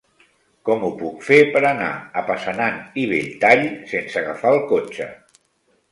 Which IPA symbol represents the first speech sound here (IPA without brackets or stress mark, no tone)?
k